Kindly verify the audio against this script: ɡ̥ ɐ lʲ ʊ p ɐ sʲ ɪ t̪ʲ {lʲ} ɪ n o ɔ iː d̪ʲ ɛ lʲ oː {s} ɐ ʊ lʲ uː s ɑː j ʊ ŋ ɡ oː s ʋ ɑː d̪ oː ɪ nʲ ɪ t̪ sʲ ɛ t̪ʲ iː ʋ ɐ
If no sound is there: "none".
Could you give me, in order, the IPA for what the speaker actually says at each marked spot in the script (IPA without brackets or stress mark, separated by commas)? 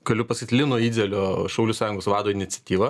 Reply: lʲ, ʃ